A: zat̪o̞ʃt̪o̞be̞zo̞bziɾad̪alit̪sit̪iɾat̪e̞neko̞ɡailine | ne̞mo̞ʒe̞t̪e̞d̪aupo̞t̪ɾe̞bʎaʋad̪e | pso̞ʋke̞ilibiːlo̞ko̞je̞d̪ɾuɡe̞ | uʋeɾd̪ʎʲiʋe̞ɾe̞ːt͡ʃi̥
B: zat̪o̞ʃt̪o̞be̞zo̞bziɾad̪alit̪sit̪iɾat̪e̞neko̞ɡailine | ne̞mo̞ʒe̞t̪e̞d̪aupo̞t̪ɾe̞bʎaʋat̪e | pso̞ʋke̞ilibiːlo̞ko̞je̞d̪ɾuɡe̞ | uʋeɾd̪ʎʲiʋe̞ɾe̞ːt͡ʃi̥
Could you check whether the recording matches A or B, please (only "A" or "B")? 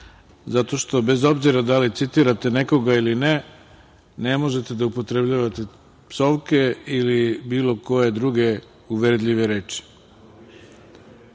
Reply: B